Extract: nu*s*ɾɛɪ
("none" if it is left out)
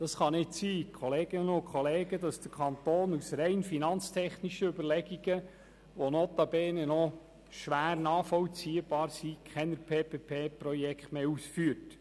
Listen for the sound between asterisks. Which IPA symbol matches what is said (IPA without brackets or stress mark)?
s